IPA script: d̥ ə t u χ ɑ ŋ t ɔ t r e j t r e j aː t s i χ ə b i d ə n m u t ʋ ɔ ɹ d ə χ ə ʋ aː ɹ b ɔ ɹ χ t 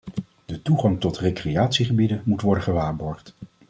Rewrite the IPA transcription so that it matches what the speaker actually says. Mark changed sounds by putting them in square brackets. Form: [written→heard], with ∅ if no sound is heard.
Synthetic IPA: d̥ ə t u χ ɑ ŋ t ɔ t r e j [t→k] r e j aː t s i χ ə b i d ə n m u t ʋ ɔ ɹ d ə χ ə ʋ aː ɹ b ɔ ɹ χ t